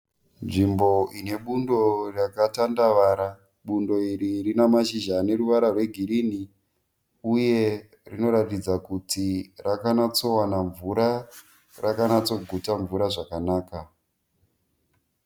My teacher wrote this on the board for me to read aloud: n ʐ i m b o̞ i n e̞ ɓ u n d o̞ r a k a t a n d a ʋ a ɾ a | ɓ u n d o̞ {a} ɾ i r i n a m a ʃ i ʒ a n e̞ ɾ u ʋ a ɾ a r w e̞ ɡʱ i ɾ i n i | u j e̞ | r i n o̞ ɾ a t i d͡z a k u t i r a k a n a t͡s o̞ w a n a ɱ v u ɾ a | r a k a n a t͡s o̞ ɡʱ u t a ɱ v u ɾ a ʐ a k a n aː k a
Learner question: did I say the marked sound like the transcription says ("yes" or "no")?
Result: no